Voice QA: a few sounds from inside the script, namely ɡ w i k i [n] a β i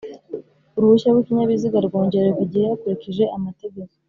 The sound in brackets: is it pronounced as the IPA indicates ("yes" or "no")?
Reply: no